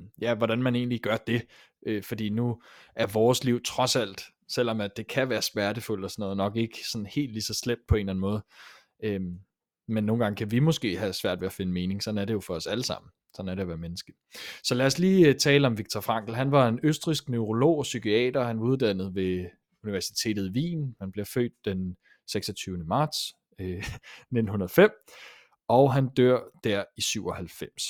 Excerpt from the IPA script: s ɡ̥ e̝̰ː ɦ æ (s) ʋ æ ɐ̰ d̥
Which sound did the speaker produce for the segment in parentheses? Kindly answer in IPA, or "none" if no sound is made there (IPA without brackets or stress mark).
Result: s